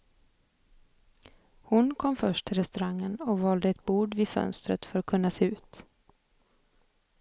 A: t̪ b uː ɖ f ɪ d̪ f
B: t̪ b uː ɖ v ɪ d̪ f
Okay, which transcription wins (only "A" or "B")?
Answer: B